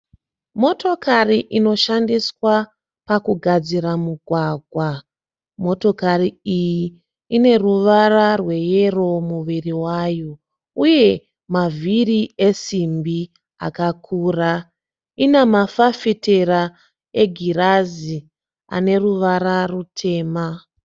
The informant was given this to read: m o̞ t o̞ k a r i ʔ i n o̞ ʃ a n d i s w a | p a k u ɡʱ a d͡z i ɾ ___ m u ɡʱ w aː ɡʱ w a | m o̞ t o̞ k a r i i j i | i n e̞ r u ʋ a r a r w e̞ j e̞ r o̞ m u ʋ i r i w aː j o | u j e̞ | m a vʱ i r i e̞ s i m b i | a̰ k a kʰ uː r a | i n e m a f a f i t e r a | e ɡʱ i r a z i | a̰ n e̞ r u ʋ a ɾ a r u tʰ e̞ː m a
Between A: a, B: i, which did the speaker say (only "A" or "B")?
A